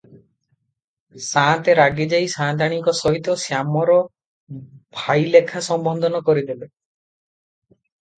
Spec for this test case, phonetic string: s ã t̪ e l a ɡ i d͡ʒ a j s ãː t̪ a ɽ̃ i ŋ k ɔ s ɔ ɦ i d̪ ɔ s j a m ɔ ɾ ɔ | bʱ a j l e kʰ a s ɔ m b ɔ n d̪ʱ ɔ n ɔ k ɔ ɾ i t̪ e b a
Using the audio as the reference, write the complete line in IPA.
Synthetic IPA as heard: s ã t̪ e ɾ a ɡ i d͡ʒ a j s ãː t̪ a ɽ̃ i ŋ k ɔ s ɔ ɦ i t̪ ɔ s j a m ɔ ɾ ɔ | bʱ a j l e kʰ a s ɔ m b ɔ n d̪ʱ ɔ n ɔ k ɔ ɾ i d̪ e b e